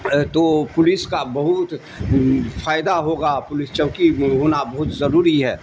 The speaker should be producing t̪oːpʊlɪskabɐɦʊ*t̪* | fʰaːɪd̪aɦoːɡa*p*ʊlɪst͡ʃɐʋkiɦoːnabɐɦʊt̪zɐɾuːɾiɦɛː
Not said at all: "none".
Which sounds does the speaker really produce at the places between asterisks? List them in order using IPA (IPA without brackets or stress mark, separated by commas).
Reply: t̪, p